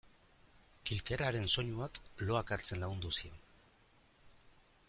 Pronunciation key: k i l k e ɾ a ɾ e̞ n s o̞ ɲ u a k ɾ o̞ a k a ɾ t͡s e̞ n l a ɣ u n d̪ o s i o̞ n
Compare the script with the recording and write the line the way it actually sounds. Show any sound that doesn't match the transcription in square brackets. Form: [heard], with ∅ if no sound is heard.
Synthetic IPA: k i l k e ɾ a ɾ e̞ n s o̞ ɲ u a k [l] o̞ a k a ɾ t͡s e̞ n l a ɣ u n d̪ [u] s i o̞ n